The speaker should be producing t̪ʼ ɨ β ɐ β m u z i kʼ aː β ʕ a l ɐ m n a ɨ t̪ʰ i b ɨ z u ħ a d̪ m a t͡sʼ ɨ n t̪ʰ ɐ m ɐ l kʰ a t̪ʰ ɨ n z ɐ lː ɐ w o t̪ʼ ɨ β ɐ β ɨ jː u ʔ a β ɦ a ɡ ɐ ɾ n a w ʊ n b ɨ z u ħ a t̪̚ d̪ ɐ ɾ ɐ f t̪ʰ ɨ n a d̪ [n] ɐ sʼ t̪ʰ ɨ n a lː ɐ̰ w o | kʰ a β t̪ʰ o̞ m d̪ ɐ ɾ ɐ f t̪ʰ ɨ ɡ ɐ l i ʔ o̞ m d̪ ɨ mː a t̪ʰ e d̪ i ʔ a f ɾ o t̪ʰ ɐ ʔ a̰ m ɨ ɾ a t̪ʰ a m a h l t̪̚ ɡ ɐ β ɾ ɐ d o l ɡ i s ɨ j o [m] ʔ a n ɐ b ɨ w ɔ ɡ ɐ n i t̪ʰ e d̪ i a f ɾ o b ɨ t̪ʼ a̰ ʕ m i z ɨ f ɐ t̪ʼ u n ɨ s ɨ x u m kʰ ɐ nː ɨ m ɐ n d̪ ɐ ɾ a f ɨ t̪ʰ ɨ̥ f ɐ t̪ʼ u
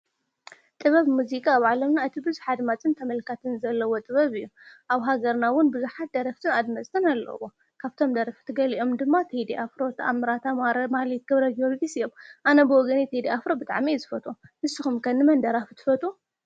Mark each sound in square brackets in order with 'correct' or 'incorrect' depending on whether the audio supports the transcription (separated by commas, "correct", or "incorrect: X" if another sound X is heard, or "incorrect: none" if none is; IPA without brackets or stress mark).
incorrect: m, correct